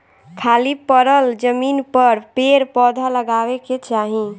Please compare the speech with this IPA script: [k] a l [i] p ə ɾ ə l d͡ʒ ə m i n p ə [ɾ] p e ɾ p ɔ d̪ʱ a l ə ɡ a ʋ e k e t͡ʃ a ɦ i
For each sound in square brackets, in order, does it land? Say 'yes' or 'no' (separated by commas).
no, yes, yes